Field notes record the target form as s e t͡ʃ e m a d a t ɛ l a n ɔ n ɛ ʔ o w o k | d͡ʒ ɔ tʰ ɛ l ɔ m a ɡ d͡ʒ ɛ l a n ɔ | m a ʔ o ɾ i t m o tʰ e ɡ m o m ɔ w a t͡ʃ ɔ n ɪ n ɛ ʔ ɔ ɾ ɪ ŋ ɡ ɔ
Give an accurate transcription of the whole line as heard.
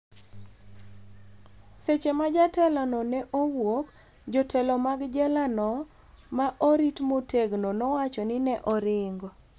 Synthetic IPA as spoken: s e t͡ʃ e m a d͡ʒ a t ɛ l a n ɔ n ɛ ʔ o w o k | d͡ʒ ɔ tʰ ɛ l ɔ m a ɡ d͡ʒ ɛ l a n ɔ | m a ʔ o ɾ i t m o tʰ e ɡ n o n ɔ w a t͡ʃ ɔ n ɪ n ɛ ʔ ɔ ɾ ɪ ŋ ɡ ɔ

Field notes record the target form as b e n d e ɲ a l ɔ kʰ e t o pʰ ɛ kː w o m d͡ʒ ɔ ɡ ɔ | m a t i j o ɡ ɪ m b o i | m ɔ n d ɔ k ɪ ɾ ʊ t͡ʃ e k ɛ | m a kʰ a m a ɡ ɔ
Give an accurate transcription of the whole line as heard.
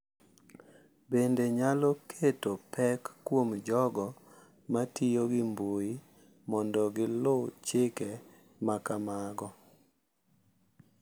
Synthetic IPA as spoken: b e n d e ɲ a l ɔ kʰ e t o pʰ ɛ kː w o m d͡ʒ ɔ ɡ ɔ | m a t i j o ɡ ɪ m b o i | m ɔ n d ɔ ɡ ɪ l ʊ t͡ʃ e k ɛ | m a k a m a ɡ ɔ

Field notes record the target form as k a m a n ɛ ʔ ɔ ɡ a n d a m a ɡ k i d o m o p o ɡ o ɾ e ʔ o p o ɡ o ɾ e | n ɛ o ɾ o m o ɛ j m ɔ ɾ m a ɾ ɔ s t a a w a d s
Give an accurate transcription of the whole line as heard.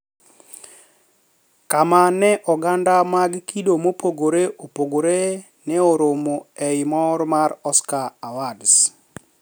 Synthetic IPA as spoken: k a m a n ɛ ʔ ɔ ɡ a n d a m a ɡ k i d o m o p o ɡ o ɾ e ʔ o p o ɡ o ɾ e | n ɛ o ɾ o m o ɛ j m ɔ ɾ m a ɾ ɔ s k a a w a d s

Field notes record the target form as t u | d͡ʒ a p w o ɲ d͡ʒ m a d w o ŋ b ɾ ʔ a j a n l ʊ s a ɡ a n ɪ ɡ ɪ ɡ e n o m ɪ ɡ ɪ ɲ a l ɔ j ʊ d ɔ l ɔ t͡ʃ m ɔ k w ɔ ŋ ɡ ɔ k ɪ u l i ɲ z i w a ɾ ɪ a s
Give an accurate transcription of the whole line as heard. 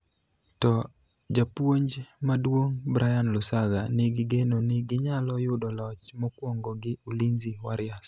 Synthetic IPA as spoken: t ɔ | d͡ʒ a p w o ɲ d͡ʒ m a d w o ŋ b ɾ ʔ a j a n l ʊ s a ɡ a n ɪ ɡ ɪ ɡ e n o n ɪ ɡ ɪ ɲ a l ɔ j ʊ d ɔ l ɔ t͡ʃ m ɔ k w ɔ ŋ ɡ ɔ ɡ ɪ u l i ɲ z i w a ɾ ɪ a s

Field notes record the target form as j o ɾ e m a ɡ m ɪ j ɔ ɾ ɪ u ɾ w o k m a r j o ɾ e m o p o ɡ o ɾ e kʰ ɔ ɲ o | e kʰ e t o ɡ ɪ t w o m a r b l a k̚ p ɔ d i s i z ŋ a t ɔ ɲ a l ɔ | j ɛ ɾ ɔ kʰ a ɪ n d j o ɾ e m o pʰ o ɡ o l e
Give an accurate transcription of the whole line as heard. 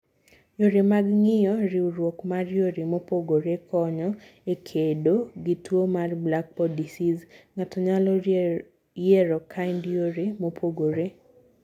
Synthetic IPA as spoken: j o ɾ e m a ɡ ŋ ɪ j ɔ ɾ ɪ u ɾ w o k m a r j o ɾ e m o p o ɡ o ɾ e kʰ ɔ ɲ ɔ | e kʰ e d o ɡ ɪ t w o m a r b l a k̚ p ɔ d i s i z ŋ a t ɔ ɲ a l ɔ | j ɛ ɾ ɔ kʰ a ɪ n d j o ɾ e m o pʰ o ɡ o ɾ e

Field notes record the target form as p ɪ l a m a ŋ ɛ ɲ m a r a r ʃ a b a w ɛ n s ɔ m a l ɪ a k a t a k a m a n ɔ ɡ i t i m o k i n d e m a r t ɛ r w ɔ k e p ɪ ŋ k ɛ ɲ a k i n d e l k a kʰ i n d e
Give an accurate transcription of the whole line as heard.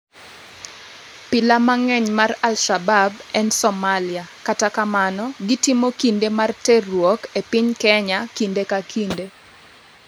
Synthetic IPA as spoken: p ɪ l a m a ŋ ɛ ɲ m a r a l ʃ a b a b ɛ n s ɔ m a l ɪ a k a t a k a m a n ɔ ɡ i t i m o k i n d e m a r t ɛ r w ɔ k e p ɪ ɲ k ɛ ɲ a k i n d e k a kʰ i n d e

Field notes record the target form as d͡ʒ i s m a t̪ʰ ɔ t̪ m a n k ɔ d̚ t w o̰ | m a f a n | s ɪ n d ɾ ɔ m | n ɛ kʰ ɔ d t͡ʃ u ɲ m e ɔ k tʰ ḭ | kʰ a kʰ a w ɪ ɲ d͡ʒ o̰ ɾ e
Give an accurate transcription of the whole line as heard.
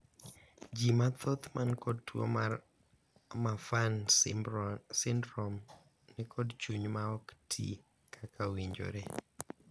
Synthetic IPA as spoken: d͡ʒ i m a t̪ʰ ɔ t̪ m a n k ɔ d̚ t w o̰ | m a f a n | s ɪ n d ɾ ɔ m | n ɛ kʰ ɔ d t͡ʃ u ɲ m a ɔ k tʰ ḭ | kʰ a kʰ a w i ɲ d͡ʒ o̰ ɾ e

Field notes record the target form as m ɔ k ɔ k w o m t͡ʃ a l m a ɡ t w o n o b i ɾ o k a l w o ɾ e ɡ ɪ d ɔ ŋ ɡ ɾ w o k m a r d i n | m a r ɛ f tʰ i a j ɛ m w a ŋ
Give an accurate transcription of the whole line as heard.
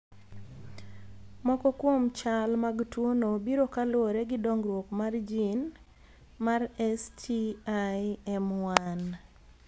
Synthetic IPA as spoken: m ɔ k ɔ k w o m t͡ʃ a l m a ɡ t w o n o b i ɾ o k a l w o ɾ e ɡ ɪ d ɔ ŋ ɡ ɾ w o k m a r d͡ʒ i n | m a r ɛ s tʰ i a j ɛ m w a n

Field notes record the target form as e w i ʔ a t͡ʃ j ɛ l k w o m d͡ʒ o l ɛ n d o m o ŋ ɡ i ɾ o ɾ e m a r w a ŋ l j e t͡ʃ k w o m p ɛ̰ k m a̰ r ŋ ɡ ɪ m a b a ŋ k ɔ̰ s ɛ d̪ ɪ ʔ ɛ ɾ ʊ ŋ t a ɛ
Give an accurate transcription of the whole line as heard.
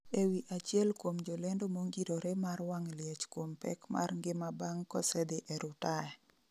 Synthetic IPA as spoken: e w i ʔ a t͡ʃ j ɛ l k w o m d͡ʒ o l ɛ n d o m o ŋ ɡ i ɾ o ɾ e m a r w a ŋ l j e t͡ʃ k w o m p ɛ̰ k m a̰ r ŋ ɡ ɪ m a b a ŋ k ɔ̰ s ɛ d̪ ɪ ʔ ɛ ɾ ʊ t a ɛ

